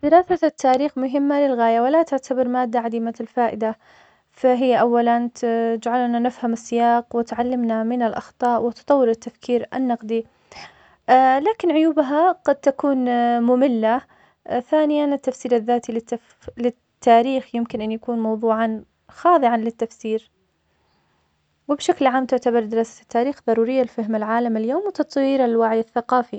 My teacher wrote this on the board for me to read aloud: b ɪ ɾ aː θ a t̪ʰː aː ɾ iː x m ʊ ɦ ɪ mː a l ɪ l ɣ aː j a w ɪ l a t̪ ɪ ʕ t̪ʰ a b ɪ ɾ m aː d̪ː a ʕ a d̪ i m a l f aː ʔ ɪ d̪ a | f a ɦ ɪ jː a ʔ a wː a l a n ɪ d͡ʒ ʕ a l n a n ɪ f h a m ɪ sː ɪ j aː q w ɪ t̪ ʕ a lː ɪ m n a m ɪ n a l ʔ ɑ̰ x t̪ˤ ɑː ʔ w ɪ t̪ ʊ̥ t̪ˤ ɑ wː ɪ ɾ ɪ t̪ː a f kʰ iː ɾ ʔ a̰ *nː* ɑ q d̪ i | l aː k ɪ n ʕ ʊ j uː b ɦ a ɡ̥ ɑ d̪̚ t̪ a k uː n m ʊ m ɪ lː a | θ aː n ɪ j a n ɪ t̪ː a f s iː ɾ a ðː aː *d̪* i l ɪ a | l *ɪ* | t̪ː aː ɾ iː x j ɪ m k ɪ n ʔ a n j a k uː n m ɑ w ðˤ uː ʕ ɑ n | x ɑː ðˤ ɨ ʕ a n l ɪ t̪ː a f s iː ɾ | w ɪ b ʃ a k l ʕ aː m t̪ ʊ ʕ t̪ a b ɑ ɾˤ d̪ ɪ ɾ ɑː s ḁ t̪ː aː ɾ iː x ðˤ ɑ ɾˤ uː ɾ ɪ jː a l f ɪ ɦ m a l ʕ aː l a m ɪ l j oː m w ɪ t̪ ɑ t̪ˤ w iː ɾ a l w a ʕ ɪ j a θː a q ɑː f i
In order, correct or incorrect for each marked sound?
correct, incorrect, correct

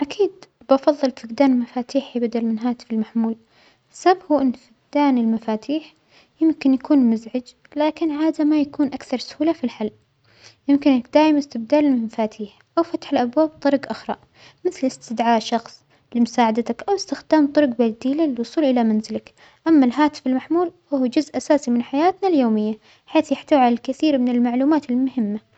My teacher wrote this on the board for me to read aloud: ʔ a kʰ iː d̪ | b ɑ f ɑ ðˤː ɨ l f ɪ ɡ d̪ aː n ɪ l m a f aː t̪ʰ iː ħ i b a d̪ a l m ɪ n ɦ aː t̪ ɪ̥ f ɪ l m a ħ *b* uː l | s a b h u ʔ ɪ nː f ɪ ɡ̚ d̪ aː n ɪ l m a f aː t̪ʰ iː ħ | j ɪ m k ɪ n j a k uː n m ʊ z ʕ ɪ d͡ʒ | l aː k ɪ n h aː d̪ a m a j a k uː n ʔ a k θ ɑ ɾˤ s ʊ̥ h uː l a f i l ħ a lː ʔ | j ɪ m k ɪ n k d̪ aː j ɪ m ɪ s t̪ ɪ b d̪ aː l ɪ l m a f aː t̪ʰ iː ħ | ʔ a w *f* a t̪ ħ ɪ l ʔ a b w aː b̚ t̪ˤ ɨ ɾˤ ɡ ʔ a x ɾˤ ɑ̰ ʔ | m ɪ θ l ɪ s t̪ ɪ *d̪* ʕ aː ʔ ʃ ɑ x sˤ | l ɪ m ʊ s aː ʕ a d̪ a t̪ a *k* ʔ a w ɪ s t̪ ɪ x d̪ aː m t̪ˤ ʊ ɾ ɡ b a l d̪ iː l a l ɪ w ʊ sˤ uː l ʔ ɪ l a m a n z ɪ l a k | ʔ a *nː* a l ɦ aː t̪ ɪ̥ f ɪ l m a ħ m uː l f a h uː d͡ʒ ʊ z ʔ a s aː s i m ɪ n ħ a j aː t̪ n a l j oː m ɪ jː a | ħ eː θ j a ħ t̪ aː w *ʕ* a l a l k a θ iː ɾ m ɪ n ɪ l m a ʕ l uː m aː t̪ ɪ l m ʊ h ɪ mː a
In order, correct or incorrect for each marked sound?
incorrect, correct, correct, correct, incorrect, correct

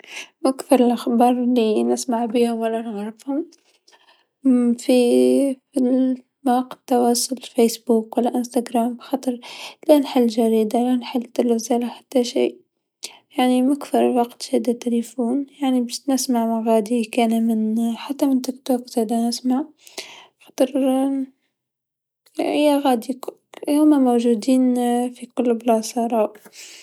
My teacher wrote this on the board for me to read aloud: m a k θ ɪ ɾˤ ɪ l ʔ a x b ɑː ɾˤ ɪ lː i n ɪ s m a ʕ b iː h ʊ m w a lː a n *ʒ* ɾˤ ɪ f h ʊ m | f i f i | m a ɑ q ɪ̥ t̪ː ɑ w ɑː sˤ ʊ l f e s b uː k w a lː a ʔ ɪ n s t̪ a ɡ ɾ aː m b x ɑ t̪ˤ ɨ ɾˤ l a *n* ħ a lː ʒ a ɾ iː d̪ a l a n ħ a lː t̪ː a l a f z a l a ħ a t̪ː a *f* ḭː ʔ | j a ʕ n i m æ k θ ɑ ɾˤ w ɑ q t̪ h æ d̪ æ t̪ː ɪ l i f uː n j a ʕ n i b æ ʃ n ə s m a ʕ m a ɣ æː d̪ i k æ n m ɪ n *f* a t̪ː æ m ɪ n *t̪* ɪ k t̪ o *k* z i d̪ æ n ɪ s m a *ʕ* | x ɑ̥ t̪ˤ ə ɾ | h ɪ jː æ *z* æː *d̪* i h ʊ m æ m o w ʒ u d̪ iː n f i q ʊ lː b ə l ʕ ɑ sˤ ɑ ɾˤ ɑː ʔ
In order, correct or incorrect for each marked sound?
incorrect, correct, incorrect, incorrect, correct, correct, correct, incorrect, correct

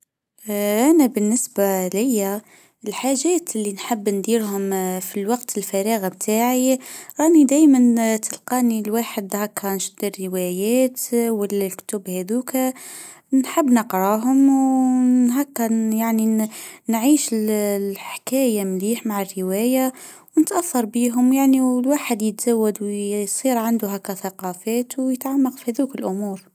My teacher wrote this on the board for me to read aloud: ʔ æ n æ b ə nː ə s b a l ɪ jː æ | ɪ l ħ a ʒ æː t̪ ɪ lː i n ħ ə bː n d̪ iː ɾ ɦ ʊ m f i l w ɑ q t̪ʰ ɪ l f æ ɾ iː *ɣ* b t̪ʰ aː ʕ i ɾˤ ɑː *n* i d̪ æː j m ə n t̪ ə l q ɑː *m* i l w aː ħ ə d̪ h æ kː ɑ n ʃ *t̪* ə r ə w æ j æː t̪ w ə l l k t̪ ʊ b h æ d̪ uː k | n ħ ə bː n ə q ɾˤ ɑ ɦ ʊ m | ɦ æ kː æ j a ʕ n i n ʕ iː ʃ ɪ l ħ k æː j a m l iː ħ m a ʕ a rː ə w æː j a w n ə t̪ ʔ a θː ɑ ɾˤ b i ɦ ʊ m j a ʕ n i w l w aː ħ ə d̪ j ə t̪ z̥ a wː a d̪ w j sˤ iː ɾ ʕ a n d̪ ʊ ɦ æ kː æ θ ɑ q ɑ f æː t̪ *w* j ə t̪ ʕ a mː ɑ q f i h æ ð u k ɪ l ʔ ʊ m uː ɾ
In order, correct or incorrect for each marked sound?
correct, correct, incorrect, incorrect, correct

